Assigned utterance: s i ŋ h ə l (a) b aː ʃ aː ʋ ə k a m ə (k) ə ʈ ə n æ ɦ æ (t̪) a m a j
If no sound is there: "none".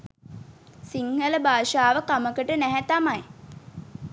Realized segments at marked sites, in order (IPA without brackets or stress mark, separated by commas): ə, k, t̪